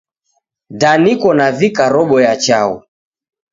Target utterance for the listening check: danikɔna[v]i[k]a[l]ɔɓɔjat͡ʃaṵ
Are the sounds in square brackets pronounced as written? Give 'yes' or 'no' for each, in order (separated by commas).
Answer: yes, yes, no